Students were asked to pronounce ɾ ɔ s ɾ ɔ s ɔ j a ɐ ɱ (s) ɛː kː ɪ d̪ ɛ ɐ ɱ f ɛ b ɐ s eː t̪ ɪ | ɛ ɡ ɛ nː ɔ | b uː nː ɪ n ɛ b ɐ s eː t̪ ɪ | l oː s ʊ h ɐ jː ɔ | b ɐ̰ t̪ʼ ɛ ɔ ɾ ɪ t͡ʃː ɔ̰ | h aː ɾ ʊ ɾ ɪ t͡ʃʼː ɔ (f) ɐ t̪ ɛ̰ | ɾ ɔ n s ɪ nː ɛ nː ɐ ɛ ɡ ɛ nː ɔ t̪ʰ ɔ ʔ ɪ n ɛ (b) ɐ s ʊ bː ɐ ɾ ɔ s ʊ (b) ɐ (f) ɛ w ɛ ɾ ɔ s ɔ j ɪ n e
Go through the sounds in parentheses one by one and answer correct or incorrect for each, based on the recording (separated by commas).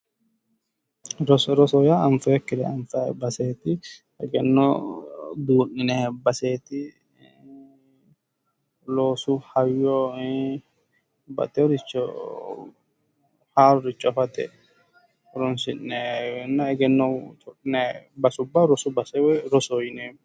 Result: incorrect, correct, correct, correct, incorrect